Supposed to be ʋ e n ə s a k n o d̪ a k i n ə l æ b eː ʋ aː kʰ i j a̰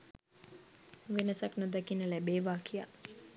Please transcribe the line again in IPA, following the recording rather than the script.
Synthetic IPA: ʋ e n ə s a k n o d̪ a k i n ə l æ b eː ʋ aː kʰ i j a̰

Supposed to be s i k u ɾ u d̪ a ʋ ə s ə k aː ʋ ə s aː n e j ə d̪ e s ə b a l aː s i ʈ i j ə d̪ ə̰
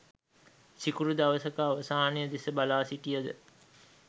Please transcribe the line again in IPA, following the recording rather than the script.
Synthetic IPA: s i k u ɾ u d̪ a ʋ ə s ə k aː ʋ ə s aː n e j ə d̪ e s ə b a l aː s i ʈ i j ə d̪ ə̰

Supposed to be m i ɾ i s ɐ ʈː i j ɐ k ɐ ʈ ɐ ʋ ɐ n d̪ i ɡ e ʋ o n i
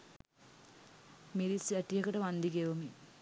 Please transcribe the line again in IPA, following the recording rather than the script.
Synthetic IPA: m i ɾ i s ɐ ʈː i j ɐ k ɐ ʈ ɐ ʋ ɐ n d̪ i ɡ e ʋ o m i

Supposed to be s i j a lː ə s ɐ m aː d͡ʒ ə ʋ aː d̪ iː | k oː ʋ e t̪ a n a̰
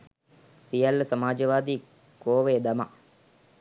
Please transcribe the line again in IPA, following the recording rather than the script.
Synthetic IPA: s i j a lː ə s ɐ m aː d͡ʒ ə ʋ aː d̪ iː | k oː ʋ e d̪ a m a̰

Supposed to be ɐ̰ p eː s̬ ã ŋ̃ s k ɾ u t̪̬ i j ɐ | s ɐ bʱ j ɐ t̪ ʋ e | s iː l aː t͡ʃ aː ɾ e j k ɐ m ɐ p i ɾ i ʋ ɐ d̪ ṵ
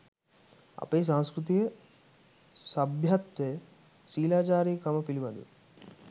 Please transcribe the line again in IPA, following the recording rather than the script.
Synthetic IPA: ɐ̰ p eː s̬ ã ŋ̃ s k ɾ u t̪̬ i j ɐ | s ɐ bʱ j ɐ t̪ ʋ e | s iː l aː t͡ʃ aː ɾ i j k ɐ m ɐ p i l i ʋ ɐ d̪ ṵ

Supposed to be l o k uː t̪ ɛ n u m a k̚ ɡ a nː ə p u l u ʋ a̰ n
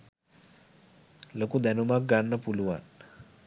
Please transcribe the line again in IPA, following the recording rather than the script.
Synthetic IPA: l o k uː d̪ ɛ n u m a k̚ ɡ a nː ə p u l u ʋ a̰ n

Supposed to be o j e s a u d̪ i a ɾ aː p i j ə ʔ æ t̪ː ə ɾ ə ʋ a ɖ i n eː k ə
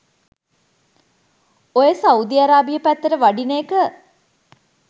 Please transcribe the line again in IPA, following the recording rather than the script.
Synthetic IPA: o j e s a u d̪ i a ɾ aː b i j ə p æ t̪ː ə ɾ ə ʋ a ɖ i n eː k ə

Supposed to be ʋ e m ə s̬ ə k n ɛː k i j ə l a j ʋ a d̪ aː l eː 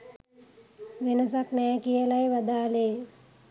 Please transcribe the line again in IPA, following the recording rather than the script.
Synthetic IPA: ʋ e n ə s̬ a k n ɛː k i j ə l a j ʋ a d̪ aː l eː

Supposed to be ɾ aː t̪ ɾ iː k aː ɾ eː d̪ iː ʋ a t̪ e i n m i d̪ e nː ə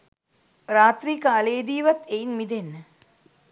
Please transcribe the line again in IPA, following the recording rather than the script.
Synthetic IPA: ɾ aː t̪ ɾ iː k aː l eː d̪ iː ʋ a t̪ e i n m i d̪ e nː ə

